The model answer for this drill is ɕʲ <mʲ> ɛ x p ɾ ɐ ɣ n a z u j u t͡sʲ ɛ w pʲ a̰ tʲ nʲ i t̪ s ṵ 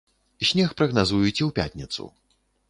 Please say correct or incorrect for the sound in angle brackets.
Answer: incorrect